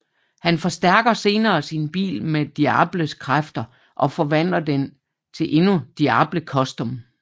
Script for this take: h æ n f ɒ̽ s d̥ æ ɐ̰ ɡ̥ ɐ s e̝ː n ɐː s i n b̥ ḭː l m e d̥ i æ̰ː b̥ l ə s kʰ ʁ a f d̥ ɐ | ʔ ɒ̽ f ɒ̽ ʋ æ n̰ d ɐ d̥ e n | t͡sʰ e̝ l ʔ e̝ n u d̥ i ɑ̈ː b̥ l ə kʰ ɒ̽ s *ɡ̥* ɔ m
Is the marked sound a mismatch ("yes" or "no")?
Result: yes